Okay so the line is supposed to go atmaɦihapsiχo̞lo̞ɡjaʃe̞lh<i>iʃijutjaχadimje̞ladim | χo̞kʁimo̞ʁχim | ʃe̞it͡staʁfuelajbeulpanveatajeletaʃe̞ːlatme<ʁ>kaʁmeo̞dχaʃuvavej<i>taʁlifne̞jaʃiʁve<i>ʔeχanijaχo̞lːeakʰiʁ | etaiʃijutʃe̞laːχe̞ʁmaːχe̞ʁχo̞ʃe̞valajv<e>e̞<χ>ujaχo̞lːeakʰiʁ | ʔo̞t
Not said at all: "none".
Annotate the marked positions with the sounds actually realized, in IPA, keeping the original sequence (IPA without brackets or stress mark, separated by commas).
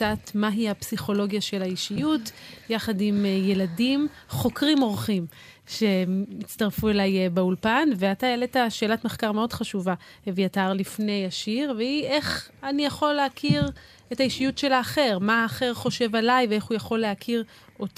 a, χ, a, i, e, χ